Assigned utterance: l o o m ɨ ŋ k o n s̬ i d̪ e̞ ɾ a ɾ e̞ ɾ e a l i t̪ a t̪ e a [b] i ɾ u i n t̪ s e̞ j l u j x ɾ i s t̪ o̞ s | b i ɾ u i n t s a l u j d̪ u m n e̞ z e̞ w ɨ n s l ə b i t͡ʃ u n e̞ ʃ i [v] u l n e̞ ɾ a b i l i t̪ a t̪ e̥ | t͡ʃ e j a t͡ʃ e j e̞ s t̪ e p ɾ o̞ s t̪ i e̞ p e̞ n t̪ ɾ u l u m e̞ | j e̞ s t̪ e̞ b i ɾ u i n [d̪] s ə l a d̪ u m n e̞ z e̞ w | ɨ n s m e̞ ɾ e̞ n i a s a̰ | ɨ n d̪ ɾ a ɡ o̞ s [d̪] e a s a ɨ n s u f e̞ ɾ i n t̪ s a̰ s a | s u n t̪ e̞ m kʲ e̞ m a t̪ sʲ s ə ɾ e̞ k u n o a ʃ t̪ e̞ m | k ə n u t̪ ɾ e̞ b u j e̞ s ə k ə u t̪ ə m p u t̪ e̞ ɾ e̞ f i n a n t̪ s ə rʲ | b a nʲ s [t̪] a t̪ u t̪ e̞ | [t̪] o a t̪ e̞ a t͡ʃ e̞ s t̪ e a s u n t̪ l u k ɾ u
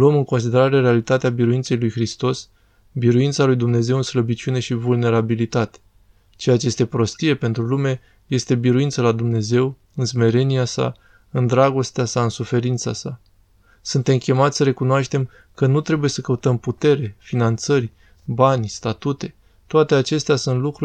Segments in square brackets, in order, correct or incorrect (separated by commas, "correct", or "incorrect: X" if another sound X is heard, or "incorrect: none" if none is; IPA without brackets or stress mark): correct, correct, incorrect: t̪, incorrect: t̪, correct, correct